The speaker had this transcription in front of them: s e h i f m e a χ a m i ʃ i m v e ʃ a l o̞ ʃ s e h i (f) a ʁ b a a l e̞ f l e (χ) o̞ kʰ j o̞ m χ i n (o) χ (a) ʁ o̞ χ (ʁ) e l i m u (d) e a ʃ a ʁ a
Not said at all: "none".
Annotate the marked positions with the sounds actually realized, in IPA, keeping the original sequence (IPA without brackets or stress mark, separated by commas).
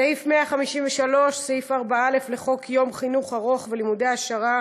f, χ, u, a, v, d